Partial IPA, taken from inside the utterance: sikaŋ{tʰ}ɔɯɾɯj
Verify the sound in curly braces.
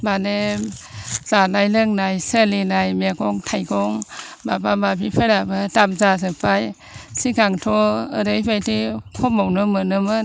correct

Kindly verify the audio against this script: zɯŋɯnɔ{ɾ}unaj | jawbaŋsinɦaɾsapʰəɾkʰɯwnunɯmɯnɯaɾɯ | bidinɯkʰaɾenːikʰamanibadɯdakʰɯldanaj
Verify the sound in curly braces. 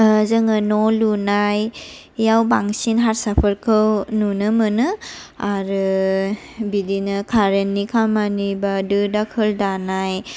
incorrect: l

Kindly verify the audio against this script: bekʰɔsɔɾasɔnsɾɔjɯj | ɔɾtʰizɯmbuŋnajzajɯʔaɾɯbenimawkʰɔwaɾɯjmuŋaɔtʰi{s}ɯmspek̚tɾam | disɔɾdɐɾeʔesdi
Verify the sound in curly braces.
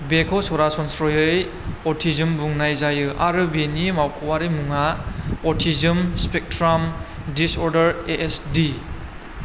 incorrect: z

